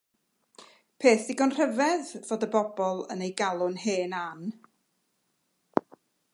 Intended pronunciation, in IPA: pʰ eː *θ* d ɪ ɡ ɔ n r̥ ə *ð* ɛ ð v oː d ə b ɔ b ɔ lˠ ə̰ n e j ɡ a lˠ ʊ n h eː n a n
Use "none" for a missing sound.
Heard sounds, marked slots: θ, v

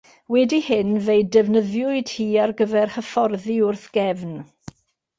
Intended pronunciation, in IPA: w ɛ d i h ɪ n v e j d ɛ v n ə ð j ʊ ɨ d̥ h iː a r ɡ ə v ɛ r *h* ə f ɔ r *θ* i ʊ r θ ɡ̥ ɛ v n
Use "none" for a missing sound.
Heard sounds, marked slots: h, ð

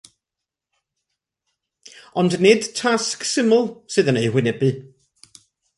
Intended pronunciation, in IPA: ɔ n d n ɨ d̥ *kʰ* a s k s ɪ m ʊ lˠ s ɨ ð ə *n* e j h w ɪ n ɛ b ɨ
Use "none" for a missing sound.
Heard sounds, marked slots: tʰ, n

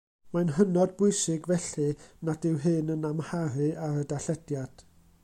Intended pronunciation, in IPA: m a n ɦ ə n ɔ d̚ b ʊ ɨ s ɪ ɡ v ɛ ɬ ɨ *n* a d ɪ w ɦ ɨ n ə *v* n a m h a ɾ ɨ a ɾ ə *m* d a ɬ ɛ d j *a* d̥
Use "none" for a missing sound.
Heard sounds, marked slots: n, none, none, a

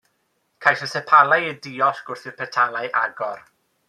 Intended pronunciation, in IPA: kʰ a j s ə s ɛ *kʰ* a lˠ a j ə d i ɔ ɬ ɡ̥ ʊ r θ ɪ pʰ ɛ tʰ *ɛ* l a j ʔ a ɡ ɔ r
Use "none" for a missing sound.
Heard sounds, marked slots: pʰ, a

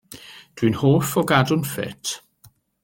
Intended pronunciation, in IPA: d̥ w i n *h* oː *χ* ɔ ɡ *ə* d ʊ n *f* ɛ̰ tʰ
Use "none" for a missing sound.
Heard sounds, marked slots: h, f, a, f

